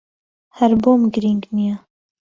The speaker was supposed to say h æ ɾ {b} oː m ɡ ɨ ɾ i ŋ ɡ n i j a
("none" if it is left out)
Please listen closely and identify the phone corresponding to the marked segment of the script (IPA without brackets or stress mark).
b